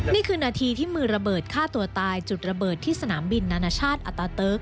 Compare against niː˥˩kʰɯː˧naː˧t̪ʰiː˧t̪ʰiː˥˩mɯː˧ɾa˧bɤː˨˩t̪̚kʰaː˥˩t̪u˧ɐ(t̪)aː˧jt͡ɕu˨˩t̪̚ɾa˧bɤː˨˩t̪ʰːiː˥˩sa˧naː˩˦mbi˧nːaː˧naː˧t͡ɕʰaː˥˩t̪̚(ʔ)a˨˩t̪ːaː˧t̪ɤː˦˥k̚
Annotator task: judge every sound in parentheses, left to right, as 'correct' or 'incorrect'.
correct, correct

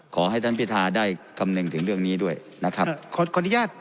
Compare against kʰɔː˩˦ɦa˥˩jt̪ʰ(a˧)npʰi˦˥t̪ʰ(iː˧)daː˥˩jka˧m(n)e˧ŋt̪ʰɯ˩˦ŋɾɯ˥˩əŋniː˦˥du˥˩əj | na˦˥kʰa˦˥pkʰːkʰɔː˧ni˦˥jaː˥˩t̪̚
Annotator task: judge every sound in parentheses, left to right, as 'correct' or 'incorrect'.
incorrect: a˥˩, incorrect: aː˧, correct

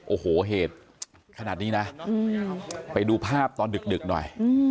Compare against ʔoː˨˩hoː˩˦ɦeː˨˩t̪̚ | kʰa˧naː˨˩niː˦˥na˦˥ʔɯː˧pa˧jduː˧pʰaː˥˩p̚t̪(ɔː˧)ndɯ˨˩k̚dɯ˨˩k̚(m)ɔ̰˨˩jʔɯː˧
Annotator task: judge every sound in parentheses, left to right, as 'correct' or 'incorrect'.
correct, incorrect: n

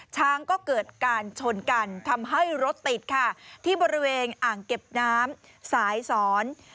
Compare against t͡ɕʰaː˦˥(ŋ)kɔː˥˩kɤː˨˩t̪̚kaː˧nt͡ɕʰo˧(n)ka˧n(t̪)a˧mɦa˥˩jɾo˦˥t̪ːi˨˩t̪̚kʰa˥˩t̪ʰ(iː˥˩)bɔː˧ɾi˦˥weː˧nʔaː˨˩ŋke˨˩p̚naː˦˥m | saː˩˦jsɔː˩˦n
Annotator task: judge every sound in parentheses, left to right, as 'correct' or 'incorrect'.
correct, correct, incorrect: t̪ʰ, correct

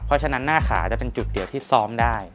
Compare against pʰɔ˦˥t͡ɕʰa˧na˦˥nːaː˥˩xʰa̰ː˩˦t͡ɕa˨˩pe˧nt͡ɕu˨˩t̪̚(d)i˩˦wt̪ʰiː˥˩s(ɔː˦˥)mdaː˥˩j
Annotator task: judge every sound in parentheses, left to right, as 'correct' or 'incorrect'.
correct, correct

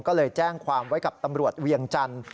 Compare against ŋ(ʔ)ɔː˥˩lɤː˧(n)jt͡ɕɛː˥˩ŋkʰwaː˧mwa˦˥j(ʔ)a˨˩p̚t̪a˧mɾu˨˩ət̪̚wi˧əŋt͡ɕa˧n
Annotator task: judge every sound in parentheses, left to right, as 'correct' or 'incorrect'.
incorrect: k, incorrect: none, incorrect: k

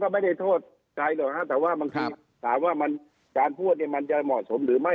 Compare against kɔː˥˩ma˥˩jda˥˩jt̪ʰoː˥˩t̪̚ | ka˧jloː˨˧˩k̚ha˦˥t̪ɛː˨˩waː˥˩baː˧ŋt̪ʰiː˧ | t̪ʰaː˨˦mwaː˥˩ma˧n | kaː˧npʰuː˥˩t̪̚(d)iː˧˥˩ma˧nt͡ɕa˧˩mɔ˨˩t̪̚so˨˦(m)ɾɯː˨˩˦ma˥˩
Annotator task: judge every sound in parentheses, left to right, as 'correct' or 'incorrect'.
incorrect: n, correct

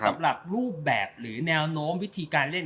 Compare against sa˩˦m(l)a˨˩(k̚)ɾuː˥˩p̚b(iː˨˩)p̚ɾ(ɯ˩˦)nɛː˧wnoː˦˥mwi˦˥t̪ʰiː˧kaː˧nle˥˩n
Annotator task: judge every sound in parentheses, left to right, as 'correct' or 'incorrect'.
incorrect: ɾ, incorrect: p̚, incorrect: ɛː˨˩, incorrect: ɯː˩˦

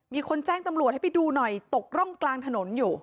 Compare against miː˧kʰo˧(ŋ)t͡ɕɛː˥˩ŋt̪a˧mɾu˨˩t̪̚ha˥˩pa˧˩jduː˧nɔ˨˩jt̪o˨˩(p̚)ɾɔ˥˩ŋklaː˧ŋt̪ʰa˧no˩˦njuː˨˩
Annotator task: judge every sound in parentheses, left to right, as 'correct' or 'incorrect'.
incorrect: n, incorrect: k̚

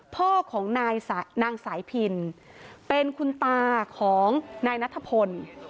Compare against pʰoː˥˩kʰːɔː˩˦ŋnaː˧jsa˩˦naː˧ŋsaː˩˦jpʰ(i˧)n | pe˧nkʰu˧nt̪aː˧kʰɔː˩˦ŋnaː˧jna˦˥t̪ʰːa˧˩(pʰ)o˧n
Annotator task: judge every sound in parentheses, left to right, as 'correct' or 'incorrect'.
correct, correct

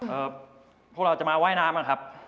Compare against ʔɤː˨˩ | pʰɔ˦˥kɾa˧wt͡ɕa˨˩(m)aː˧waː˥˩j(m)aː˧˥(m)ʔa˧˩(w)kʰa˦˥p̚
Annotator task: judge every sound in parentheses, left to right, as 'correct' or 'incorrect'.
correct, incorrect: n, correct, incorrect: none

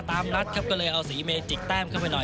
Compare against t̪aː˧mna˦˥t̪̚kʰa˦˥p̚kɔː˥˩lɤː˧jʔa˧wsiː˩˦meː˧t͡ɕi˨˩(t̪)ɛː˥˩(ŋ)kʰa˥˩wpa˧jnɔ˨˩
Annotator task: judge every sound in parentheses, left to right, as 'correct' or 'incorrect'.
correct, incorrect: m

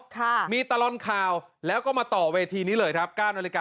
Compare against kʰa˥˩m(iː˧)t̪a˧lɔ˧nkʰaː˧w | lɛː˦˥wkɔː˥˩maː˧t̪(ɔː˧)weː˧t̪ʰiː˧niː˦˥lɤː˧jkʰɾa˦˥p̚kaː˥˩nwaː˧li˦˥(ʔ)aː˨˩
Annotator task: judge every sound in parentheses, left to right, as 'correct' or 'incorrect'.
correct, incorrect: ɔː˨˩, incorrect: k

